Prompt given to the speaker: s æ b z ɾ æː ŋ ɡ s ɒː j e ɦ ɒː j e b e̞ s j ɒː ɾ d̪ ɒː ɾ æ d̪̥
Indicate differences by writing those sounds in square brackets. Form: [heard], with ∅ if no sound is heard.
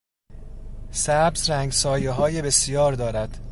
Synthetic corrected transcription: s æ b z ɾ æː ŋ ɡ s ɒː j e ɦ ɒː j e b e̞ s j ɒː ɾ d̪ ɒː ɾ æ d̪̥